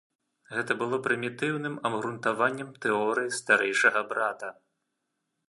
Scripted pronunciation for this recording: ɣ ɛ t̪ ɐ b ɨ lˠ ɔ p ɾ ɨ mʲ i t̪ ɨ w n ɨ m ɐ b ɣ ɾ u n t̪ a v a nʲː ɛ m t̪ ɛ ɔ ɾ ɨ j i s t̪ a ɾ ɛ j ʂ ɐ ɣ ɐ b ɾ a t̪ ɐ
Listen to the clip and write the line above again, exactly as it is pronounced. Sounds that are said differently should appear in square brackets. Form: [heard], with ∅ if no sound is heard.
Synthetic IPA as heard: ɣ ɛ t̪ ɐ b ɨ lˠ ɔ p ɾ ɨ mʲ i t̪ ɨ w n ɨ m ɐ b ɣ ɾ u n t̪ a v a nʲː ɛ m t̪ ɛ ɔ ɾ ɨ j i s t̪ a ɾ ɛ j ʂ ɐ ɣ ɐ b ɾ a t̪ ɐ